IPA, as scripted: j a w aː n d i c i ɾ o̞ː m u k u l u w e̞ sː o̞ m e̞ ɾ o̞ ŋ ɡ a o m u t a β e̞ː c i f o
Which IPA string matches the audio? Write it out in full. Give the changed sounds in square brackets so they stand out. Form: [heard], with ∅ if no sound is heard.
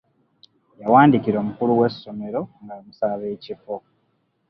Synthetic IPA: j a w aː n d i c i ɾ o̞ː m u k u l u w e̞ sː o̞ m e̞ ɾ o̞ ŋ ɡ a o m u [s] a β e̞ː c i f o